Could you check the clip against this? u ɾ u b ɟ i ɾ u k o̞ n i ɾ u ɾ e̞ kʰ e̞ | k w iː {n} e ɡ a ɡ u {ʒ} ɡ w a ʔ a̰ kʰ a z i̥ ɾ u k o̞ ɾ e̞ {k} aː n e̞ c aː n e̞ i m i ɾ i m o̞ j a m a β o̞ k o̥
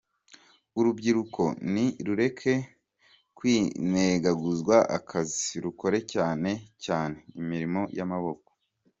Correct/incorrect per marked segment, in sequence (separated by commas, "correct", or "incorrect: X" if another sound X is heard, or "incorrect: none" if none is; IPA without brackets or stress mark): correct, incorrect: z, incorrect: c